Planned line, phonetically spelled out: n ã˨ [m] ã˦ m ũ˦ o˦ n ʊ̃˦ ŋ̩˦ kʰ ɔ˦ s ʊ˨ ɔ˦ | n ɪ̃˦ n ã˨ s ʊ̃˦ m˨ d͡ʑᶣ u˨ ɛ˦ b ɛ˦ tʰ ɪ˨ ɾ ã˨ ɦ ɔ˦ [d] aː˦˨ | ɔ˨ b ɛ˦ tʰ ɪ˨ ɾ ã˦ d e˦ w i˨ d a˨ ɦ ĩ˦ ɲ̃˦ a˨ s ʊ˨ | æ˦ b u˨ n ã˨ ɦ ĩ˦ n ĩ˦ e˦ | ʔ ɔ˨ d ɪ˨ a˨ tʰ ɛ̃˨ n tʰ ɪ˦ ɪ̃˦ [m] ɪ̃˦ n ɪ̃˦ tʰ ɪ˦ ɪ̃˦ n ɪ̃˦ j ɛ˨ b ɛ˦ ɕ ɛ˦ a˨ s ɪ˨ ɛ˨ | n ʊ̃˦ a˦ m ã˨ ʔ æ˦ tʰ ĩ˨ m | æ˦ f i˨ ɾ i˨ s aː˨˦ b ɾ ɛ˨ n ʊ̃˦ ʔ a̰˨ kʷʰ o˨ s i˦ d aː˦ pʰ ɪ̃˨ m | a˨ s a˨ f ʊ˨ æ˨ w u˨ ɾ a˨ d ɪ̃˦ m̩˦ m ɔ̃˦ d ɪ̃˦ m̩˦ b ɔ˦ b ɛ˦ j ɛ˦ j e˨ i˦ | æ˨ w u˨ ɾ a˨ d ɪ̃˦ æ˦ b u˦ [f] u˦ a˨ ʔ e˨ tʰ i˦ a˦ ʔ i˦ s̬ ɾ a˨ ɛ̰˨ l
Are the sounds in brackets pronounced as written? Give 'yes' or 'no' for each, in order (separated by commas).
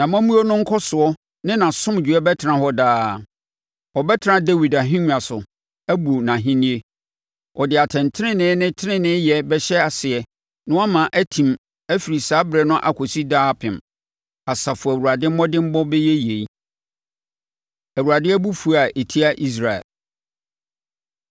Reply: yes, yes, no, yes